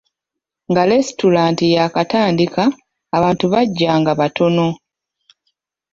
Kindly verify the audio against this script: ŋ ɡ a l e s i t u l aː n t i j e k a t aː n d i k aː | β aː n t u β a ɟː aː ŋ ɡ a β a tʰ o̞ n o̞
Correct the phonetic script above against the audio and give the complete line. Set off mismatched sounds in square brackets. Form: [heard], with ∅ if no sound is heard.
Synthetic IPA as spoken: ŋ ɡ a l e s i t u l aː n t i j [a] k a t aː n d i k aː | β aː n t u β a ɟː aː ŋ ɡ a β a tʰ o̞ n o̞